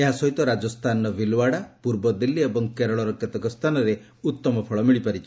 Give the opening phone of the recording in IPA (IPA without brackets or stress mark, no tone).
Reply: e